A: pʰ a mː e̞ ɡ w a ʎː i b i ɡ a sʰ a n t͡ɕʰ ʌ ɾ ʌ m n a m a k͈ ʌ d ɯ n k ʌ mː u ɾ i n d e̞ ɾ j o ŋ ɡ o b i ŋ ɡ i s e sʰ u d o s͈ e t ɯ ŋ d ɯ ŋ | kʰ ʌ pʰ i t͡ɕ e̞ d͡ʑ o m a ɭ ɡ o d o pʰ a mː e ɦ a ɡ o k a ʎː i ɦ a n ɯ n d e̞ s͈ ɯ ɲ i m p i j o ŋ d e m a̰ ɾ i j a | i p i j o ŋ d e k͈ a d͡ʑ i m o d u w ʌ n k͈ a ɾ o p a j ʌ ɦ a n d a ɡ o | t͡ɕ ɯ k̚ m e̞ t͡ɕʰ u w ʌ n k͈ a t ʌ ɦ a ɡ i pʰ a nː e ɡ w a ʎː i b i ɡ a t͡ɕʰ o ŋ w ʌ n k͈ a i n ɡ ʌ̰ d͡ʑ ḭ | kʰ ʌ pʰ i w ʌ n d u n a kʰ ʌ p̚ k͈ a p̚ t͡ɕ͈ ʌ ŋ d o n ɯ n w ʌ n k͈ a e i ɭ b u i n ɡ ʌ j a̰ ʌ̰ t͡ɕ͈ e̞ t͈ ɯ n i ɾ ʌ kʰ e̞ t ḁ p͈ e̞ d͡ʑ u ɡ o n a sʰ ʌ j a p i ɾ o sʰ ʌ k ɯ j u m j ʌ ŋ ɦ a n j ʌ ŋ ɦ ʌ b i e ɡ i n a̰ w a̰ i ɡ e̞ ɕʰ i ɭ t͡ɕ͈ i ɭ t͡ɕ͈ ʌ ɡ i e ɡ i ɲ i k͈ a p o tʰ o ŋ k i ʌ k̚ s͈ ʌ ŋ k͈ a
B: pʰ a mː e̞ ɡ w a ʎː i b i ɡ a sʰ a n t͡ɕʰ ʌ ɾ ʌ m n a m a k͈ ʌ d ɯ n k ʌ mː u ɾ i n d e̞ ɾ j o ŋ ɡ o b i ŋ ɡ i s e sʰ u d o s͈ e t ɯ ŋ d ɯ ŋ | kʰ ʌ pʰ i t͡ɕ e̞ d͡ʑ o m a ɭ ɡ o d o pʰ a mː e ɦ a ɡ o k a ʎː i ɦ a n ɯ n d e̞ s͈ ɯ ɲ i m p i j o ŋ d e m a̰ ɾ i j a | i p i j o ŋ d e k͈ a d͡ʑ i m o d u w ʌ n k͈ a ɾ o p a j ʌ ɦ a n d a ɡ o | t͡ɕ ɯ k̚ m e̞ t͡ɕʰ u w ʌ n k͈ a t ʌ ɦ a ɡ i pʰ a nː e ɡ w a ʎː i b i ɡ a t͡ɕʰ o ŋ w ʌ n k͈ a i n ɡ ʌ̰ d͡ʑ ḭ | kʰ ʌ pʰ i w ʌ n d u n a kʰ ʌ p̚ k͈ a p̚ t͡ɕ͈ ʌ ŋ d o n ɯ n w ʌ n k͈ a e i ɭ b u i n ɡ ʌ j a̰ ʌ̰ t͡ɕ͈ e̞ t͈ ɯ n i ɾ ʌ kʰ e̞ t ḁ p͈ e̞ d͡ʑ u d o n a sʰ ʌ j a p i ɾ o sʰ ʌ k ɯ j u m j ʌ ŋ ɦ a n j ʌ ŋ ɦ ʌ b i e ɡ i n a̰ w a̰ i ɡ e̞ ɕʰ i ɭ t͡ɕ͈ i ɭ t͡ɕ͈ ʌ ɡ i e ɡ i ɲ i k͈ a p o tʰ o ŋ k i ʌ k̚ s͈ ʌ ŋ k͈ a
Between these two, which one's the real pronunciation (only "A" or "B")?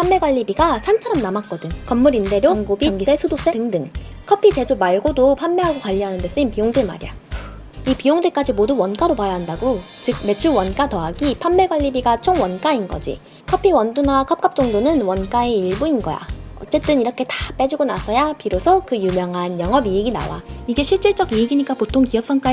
A